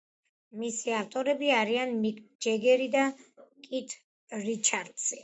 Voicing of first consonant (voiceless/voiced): voiced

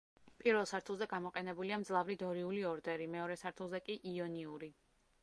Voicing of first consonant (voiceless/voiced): voiceless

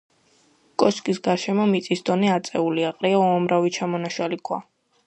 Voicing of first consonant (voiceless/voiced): voiceless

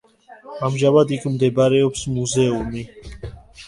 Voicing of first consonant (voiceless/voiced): voiced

